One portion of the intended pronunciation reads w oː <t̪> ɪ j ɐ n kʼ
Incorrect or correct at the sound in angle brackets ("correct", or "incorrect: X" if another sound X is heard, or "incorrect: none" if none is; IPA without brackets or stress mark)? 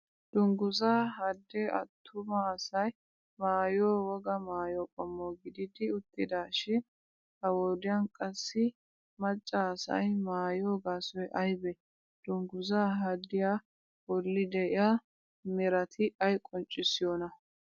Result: incorrect: d̪